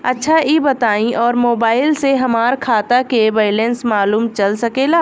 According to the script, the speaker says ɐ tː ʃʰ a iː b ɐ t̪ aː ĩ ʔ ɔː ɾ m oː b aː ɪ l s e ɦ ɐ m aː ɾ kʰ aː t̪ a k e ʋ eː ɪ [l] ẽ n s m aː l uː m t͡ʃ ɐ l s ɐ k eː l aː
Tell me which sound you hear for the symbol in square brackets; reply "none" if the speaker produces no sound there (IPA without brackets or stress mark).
l